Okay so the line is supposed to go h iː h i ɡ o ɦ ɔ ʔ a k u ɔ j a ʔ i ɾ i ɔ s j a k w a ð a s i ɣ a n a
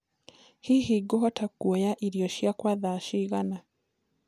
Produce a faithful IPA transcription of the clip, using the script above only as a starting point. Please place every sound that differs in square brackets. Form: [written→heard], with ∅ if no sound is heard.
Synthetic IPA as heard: h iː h i ɡ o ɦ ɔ [ʔ→t] a k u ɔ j a ʔ i ɾ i ɔ [s→ʃ] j a k w a ð a [s→ʃ] i ɣ a n a